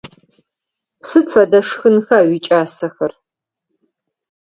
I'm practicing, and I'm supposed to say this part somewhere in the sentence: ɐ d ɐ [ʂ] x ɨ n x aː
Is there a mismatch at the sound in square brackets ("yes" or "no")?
no